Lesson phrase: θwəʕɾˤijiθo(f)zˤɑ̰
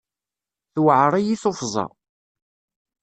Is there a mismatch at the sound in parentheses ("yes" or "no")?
no